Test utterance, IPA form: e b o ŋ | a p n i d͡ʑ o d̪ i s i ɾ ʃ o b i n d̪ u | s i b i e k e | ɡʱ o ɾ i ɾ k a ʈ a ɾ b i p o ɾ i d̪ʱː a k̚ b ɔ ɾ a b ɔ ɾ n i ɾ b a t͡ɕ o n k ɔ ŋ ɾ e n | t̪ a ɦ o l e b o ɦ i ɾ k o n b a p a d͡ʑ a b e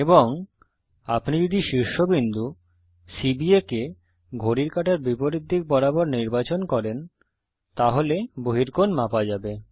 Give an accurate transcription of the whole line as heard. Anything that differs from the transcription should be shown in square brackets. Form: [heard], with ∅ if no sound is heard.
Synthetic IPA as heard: e b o ŋ | a p n i d͡ʑ o d̪ i [ʃ] i ɾ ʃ o b i n d̪ u | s i b i e k e | ɡʱ o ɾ i ɾ k a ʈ a ɾ b i p o ɾ i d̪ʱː [i] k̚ b ɔ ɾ a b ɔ ɾ n i ɾ b a t͡ɕ o n k ɔ [∅] ɾ e n | t̪ a ɦ o l e b o ɦ i ɾ k o n [m] a p a d͡ʑ a b e